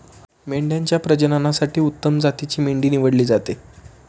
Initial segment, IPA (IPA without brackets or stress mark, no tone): m